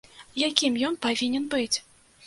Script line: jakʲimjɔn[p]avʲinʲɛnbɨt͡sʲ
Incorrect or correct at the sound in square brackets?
correct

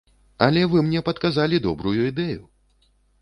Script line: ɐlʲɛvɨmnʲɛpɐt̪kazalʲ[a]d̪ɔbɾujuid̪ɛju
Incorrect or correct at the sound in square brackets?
incorrect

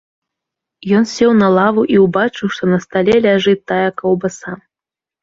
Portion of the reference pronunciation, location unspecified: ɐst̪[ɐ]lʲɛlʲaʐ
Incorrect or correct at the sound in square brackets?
incorrect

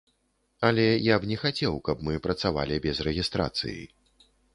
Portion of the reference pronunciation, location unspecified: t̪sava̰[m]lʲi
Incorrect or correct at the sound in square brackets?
incorrect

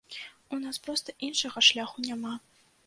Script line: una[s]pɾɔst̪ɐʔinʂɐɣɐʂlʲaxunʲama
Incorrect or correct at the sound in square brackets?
correct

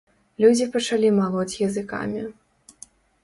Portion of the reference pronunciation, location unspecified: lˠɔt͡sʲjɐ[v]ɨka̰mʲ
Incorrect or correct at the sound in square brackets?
incorrect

